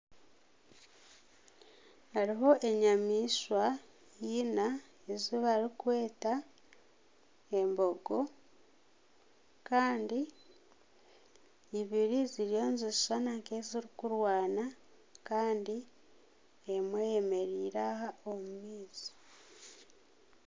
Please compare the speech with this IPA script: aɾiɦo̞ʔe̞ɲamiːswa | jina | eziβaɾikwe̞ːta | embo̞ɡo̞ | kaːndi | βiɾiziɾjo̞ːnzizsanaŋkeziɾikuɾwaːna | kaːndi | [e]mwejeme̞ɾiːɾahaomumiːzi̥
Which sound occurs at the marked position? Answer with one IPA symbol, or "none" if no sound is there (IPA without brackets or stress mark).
e